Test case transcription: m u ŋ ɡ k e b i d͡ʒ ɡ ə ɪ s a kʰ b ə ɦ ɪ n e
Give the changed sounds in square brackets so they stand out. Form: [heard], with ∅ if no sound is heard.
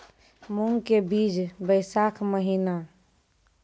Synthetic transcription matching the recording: m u ŋ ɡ k e b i d͡ʒ [b] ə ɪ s a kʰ [m] ə ɦ [i] n [a]